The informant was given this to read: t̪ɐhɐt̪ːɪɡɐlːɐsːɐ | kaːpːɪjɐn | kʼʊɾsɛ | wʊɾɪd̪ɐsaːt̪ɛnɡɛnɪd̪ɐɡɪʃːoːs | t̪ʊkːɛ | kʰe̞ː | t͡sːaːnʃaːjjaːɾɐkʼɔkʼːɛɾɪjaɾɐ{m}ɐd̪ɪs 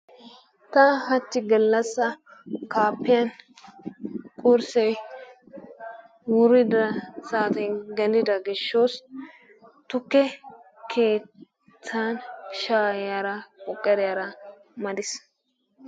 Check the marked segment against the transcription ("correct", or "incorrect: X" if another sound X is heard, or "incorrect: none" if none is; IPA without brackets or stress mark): correct